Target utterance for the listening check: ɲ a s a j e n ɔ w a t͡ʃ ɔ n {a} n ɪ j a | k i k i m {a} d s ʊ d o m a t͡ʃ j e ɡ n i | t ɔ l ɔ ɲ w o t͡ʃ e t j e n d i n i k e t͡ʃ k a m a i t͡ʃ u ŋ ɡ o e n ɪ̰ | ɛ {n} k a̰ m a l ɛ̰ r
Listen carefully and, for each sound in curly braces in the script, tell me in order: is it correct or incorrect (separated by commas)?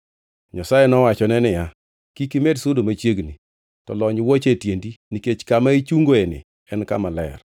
incorrect, incorrect, correct